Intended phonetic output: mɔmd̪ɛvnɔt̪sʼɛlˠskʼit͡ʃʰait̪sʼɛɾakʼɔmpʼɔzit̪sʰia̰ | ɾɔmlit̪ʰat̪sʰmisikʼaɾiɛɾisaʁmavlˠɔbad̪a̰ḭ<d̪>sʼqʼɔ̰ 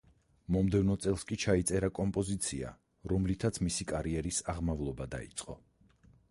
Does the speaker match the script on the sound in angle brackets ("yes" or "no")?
no